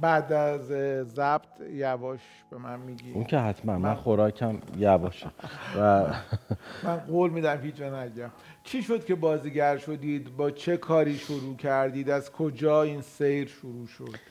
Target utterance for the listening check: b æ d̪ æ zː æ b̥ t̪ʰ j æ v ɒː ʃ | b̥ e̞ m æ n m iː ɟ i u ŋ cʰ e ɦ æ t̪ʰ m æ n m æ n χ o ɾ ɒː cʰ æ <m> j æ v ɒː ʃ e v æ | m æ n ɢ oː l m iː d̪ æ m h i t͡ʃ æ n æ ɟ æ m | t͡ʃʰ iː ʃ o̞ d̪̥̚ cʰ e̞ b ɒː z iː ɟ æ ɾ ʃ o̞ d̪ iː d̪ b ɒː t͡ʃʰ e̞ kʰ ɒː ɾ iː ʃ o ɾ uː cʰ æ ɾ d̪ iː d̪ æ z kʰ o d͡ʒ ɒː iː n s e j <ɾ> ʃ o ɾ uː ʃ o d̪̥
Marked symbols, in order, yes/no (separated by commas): yes, yes